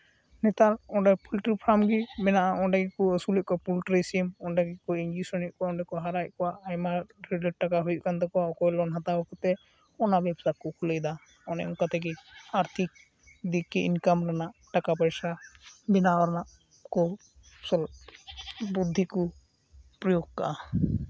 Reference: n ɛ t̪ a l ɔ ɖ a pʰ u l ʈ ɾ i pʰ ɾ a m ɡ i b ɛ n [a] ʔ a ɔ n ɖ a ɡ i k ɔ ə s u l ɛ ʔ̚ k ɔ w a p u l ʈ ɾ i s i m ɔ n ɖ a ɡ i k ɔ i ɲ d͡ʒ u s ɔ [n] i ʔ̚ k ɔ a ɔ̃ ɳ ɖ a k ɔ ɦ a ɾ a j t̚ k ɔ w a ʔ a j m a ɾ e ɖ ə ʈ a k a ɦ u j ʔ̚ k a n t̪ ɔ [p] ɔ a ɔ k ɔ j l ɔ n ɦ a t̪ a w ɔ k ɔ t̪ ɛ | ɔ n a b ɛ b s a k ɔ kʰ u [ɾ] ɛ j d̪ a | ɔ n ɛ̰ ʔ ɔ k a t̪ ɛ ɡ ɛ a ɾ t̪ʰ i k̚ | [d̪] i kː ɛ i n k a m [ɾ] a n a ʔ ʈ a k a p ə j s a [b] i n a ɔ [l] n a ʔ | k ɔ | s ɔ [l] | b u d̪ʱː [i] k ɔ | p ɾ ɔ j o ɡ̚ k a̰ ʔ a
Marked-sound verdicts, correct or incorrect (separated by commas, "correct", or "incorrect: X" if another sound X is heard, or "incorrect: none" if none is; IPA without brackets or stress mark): correct, correct, incorrect: k, incorrect: l, correct, correct, correct, incorrect: ɾ, correct, correct